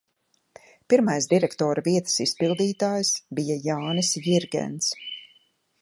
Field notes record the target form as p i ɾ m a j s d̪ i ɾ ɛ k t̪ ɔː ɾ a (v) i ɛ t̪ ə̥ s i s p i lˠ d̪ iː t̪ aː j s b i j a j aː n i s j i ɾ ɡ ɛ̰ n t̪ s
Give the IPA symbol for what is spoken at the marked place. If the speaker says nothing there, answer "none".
v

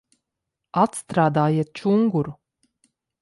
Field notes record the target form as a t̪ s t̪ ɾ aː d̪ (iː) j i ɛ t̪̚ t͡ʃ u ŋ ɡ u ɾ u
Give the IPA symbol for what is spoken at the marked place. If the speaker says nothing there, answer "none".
aː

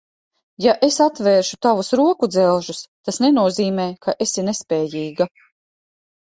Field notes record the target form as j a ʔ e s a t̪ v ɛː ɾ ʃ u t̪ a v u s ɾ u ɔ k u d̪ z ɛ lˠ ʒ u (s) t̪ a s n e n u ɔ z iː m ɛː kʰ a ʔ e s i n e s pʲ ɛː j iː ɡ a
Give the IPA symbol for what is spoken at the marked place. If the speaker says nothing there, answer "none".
s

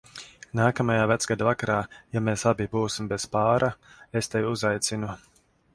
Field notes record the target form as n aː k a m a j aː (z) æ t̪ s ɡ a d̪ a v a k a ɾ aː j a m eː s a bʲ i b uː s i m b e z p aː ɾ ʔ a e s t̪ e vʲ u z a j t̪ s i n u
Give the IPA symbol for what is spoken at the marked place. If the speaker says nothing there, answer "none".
v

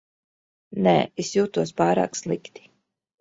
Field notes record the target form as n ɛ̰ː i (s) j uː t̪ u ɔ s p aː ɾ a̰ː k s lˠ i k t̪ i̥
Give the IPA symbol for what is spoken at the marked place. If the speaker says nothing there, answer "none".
s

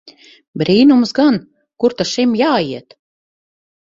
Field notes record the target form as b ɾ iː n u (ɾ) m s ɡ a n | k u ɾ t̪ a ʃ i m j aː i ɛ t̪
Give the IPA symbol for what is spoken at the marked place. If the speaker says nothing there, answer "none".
none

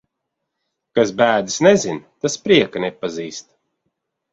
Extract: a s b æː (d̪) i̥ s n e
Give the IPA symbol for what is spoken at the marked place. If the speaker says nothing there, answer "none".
d̪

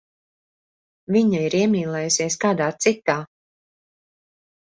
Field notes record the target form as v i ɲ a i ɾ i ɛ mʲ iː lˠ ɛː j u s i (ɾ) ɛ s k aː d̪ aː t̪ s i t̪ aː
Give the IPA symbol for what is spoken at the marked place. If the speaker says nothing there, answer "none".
none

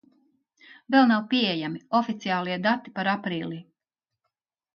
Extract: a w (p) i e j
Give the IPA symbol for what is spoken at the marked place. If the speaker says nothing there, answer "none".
p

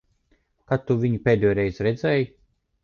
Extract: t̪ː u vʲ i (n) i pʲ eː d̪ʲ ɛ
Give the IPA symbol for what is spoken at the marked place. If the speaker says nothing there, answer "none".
ɲ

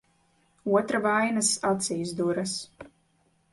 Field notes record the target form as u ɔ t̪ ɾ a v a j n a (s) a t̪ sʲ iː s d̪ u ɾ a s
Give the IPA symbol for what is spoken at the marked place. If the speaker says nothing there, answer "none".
s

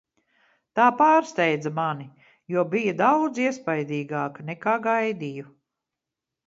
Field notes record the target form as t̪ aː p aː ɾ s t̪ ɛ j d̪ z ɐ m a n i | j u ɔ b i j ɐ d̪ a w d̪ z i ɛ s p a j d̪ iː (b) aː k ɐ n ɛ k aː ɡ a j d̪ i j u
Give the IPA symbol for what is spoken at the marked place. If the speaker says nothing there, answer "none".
ɡ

